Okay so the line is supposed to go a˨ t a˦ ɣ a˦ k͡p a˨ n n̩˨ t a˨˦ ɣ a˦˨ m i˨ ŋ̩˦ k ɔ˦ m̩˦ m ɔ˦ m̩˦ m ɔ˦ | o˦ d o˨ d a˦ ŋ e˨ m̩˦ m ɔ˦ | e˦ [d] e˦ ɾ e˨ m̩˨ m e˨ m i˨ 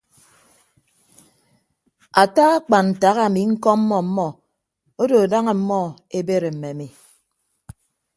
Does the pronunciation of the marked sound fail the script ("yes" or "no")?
yes